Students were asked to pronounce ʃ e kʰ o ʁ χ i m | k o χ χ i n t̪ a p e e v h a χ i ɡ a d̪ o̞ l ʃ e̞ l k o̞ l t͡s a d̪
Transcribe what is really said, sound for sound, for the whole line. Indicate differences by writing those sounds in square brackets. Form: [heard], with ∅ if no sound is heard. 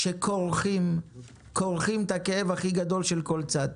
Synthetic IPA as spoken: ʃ e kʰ o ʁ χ i m | k o [ʁ] χ i [m] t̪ a [k] e e v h a χ i ɡ a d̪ o̞ l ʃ e̞ l k o̞ l t͡s a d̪